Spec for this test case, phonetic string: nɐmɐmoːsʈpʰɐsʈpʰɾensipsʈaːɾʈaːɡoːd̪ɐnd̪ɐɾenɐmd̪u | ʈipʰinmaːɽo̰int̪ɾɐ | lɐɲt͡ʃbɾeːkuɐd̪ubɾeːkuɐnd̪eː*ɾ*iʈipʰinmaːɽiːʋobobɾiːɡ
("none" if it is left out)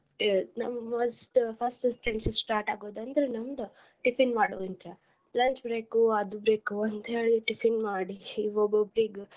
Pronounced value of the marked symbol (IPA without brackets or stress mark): ɭ